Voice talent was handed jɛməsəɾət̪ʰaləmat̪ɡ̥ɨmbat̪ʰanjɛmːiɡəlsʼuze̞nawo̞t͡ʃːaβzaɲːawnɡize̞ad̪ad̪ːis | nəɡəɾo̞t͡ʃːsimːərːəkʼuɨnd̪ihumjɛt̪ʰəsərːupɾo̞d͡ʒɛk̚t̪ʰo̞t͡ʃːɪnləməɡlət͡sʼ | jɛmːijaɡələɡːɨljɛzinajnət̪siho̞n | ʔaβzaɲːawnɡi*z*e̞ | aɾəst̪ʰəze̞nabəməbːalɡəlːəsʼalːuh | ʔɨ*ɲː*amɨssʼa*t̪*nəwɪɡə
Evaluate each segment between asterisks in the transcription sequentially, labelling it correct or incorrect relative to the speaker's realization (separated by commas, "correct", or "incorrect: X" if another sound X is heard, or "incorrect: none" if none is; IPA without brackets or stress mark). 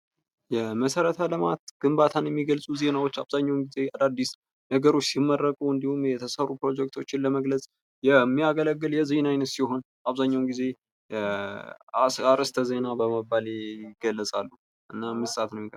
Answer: correct, incorrect: nː, correct